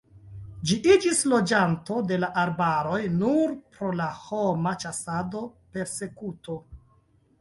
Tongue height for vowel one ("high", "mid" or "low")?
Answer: high